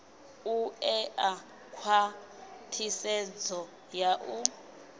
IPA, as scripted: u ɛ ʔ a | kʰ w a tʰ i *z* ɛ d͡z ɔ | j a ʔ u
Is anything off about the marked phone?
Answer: yes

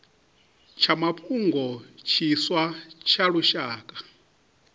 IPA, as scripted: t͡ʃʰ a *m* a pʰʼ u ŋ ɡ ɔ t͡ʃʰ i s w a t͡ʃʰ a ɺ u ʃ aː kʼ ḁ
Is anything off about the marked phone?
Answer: no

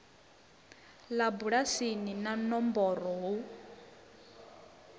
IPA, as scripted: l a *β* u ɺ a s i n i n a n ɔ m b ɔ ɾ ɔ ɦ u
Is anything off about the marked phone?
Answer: yes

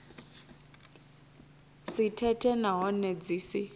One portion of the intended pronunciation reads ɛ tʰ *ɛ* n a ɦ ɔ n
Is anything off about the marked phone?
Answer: no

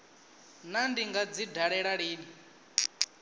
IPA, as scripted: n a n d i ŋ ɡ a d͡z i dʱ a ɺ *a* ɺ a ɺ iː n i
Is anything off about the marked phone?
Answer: yes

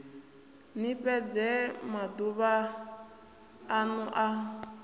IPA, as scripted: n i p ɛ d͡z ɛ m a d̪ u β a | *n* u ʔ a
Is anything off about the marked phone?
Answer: no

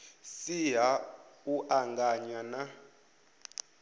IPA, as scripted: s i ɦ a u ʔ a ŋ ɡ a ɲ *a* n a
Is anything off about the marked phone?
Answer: no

